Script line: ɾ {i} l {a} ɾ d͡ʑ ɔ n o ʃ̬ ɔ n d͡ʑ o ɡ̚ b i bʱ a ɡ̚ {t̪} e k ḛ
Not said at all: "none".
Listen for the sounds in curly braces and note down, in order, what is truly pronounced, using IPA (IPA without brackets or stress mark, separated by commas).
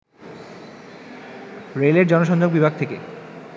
e, e, t̪ʰ